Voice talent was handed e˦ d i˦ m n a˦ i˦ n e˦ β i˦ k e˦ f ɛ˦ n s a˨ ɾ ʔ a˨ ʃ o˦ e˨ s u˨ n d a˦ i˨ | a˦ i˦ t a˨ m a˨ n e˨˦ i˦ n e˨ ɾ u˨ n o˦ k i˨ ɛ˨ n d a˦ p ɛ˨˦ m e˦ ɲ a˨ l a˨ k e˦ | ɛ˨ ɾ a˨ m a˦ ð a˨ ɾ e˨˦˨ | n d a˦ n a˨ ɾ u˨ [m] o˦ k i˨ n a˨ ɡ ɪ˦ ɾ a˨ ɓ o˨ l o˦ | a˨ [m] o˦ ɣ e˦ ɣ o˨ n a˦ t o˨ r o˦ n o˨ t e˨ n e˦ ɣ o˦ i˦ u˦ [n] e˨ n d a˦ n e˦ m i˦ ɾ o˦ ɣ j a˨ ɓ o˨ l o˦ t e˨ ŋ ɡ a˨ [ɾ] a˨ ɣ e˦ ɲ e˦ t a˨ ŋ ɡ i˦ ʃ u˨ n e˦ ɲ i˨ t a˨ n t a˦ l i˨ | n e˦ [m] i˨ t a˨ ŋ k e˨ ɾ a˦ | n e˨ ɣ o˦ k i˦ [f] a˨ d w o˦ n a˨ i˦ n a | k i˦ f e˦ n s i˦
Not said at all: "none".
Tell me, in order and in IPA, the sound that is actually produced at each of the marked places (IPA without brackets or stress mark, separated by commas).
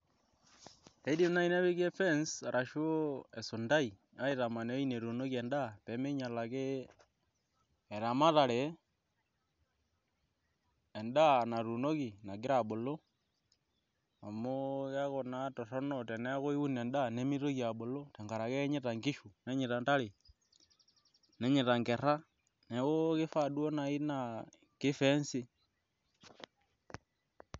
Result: n, m, n, ɾ, ɲ, f